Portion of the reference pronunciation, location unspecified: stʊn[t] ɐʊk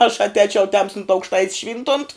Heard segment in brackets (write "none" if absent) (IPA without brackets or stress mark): t